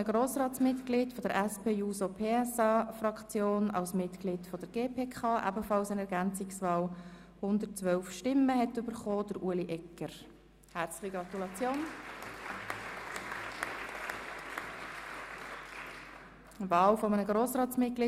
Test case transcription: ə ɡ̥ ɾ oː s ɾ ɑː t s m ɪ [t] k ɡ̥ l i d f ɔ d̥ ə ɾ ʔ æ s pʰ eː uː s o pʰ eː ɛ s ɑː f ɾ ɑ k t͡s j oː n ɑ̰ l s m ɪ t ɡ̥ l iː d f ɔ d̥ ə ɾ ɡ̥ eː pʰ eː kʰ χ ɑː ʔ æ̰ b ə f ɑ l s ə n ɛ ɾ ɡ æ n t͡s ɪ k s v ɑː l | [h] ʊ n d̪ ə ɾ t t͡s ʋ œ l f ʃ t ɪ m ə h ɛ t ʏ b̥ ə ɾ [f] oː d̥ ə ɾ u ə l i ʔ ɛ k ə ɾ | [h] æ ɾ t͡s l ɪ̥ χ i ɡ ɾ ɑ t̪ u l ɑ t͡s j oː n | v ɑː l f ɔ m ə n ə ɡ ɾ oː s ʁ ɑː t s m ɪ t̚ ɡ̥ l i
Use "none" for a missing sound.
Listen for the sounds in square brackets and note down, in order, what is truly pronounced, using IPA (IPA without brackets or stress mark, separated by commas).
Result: t, h, χ, h